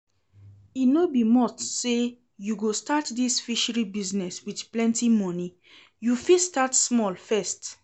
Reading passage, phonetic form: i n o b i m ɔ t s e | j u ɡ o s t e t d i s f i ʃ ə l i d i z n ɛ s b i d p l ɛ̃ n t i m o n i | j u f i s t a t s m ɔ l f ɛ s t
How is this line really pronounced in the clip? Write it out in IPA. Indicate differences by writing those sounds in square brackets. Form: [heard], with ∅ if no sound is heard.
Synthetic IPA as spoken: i n o b i m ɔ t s e | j u ɡ o s t [a] t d i s f i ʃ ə [ɹ] i [b] i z n ɛ s [w] i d p l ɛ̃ n t i m [ɔ] n i | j u f i s t a t s m ɔ l f ɛ s t